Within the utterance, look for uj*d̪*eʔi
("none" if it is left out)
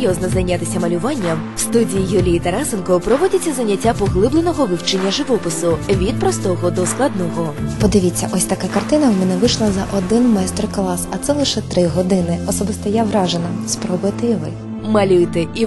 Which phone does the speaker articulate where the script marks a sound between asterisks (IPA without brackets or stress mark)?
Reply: t̪